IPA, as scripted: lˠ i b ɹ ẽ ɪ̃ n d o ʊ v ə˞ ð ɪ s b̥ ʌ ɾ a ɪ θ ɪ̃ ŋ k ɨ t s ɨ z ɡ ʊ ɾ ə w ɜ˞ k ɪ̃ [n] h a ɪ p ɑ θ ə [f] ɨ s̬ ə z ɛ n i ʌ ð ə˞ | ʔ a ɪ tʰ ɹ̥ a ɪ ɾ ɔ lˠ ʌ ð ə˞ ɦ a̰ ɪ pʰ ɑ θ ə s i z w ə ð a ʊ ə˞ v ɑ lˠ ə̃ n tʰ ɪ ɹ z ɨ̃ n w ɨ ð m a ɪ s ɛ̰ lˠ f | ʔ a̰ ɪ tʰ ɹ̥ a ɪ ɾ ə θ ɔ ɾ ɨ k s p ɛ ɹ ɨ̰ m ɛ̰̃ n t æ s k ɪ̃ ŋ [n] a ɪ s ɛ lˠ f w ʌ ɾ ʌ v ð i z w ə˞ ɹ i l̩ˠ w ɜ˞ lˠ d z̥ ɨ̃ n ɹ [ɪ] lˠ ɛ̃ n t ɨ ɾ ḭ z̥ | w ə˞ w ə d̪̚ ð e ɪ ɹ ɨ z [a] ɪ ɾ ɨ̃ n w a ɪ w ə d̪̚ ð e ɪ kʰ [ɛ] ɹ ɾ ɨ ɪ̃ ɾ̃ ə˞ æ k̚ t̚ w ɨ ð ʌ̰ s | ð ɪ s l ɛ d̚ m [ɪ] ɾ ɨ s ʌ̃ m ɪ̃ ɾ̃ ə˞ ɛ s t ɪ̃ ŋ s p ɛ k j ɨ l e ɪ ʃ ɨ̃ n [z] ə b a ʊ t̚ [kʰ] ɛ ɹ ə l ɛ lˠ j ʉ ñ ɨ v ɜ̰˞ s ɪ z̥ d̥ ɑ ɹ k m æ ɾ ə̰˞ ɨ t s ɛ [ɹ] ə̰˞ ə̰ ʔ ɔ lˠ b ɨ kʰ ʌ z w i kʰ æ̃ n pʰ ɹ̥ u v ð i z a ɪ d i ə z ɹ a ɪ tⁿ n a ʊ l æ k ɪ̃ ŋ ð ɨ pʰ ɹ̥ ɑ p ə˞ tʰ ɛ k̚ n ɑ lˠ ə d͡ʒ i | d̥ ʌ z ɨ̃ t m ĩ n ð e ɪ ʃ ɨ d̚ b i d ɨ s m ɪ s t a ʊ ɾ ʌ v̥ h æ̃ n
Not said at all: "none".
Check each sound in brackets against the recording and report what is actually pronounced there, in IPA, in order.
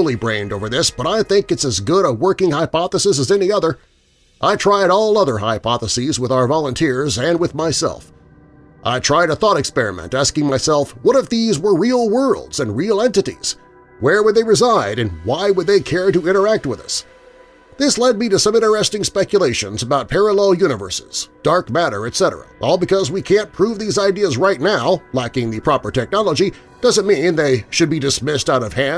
ŋ, s, m, i, a, ɛ, i, z, pʰ, ɾ

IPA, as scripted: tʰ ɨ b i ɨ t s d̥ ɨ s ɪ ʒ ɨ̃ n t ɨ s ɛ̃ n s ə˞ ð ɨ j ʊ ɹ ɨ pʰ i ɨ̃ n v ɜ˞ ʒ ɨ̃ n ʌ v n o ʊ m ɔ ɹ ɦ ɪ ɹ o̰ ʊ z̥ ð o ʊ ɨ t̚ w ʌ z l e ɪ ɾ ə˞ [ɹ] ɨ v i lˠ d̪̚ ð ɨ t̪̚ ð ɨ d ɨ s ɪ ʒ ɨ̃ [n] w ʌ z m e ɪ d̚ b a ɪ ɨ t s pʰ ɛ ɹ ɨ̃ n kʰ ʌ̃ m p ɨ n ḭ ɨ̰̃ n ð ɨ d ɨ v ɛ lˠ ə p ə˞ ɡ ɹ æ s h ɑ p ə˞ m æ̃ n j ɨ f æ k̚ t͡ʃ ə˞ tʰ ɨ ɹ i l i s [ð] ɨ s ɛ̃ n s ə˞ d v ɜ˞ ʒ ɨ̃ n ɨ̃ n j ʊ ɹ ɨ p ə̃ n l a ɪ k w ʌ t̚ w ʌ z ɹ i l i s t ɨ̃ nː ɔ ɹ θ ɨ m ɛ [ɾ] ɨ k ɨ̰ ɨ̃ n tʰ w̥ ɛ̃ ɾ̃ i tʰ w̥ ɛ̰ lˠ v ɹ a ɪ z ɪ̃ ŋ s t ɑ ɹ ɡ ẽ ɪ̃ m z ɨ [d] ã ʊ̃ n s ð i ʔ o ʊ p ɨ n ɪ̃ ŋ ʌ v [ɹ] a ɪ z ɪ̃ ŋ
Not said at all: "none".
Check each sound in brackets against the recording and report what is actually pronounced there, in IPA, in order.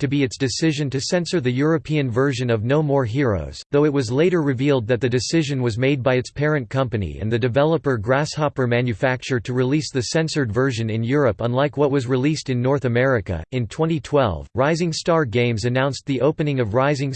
ɹ, n, ð, ɹ, n, ɹ

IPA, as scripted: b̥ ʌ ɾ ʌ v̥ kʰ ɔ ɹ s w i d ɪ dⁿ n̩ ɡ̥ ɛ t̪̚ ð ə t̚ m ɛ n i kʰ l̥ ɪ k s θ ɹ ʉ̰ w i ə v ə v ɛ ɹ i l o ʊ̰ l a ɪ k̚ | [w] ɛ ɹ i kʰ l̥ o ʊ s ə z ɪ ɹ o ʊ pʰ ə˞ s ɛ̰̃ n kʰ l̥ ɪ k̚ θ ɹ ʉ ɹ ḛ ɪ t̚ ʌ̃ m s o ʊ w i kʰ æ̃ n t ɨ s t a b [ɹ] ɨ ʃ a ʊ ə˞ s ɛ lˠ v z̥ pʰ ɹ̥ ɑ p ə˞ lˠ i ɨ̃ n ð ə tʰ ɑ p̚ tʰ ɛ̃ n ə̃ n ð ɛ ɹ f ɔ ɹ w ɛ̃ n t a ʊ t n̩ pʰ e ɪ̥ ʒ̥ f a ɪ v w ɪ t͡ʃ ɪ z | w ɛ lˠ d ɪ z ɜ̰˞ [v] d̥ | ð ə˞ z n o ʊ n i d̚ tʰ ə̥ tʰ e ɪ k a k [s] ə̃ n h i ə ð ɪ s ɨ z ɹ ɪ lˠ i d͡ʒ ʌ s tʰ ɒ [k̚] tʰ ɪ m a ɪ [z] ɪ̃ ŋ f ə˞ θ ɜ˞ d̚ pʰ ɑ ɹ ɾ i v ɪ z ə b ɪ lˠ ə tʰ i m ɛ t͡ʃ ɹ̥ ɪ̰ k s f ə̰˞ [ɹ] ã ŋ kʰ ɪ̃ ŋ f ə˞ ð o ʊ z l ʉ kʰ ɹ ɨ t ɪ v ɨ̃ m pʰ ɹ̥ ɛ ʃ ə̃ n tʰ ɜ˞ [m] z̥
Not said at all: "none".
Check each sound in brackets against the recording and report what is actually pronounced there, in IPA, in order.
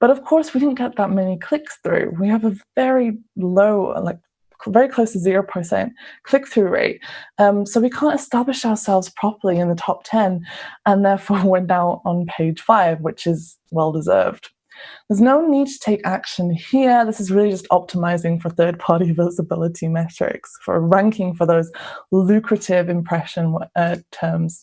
v, l, v, ʃ, p̚, z, ɹ, m

